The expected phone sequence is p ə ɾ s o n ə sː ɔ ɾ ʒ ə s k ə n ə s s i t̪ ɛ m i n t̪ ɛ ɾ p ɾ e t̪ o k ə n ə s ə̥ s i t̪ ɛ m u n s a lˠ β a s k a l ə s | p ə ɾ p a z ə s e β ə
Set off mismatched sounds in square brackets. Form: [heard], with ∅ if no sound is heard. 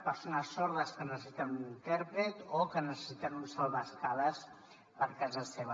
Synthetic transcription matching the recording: p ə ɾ s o n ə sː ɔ ɾ [ð] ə s k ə n ə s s i t̪ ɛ m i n t̪ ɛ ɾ p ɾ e t̪ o k ə n ə s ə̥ s i t̪ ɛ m u n s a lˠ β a s k a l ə s | p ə ɾ [k] a z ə s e β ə